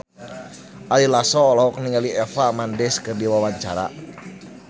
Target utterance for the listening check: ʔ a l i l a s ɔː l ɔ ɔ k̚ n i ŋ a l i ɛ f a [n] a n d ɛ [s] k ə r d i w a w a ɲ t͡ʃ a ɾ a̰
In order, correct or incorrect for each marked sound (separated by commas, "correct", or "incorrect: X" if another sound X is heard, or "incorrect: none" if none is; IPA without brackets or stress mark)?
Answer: incorrect: m, correct